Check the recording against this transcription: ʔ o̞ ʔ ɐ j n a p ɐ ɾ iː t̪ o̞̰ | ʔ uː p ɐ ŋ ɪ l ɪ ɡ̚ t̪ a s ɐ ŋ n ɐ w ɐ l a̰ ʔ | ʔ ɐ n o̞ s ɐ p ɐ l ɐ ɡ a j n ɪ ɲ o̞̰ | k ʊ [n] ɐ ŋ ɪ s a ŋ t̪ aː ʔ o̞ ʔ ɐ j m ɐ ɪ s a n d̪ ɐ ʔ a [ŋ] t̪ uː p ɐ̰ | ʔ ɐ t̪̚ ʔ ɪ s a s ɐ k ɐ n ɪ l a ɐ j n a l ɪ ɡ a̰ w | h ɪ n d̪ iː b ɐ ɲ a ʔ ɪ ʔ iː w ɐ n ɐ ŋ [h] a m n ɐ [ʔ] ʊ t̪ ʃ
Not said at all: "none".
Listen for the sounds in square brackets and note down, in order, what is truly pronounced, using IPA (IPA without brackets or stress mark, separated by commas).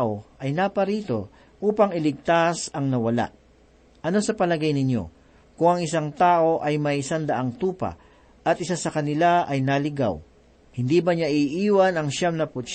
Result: ŋ, ŋ, ʃ, p